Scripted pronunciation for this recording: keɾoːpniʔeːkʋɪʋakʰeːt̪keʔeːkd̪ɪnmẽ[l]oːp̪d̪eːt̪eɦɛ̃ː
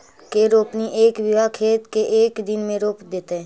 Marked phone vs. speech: incorrect: ɾ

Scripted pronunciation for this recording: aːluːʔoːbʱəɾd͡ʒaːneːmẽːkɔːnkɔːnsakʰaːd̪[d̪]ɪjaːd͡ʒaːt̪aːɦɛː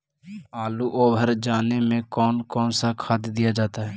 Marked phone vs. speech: correct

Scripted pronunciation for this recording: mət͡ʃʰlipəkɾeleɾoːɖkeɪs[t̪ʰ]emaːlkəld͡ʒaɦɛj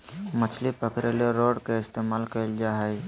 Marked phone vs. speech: incorrect: t̪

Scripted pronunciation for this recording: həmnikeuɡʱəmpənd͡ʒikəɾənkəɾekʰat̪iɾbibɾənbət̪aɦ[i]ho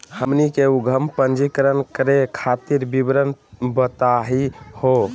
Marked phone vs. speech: correct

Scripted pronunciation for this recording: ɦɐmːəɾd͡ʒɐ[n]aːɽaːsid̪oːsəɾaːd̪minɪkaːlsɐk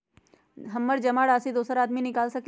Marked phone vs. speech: incorrect: m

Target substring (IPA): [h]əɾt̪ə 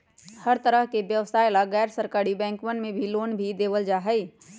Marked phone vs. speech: correct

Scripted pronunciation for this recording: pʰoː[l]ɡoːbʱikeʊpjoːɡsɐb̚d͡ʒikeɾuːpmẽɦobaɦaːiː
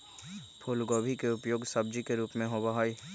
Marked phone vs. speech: correct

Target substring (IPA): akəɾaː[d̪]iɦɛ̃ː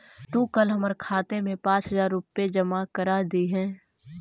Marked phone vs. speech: correct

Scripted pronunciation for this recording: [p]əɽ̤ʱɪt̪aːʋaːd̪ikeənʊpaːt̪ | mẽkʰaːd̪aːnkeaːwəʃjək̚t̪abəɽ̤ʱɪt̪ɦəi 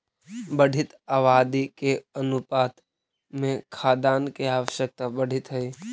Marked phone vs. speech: incorrect: b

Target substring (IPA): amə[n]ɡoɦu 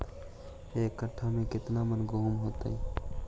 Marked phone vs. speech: correct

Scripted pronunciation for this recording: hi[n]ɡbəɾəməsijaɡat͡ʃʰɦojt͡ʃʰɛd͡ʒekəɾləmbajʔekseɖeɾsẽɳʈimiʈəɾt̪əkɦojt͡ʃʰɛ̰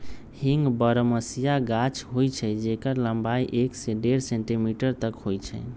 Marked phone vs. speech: incorrect: ŋ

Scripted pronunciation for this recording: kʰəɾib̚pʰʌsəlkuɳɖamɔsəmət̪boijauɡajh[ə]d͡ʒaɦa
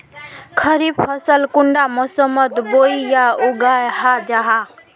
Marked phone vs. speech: incorrect: a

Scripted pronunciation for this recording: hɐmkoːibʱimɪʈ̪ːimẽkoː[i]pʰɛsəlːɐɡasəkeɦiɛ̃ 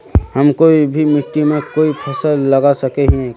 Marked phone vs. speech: correct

